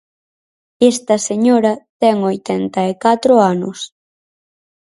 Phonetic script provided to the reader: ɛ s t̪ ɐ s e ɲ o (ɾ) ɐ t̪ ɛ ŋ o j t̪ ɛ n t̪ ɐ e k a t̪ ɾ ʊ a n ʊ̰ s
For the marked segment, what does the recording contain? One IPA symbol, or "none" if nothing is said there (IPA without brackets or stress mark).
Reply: ɾ